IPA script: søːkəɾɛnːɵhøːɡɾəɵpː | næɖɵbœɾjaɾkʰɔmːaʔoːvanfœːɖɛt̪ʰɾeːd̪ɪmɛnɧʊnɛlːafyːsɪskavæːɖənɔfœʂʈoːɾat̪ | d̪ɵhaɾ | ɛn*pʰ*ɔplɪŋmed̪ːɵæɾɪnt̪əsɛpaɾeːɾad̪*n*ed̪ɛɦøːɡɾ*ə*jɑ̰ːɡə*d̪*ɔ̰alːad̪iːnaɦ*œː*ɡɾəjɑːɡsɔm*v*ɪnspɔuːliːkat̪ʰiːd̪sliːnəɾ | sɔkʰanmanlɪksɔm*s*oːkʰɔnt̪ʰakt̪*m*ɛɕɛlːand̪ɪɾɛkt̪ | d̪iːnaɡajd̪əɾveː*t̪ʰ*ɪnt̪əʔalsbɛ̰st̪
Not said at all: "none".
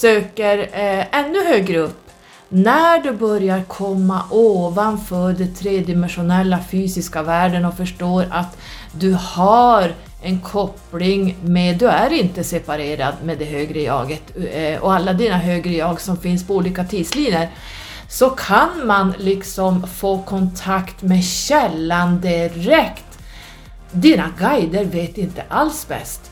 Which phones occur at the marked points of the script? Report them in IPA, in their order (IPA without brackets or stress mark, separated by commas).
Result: kʰ, m, ə, t̪, øː, f, f, m, t̪